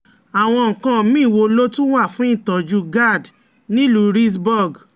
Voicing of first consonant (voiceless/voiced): voiced